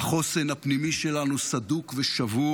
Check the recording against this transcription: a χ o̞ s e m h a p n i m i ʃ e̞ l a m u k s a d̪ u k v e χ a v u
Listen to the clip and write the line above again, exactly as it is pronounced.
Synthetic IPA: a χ o̞ s e n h a p n i m i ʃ e̞ l a n u s a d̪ u k v e ʃ a v u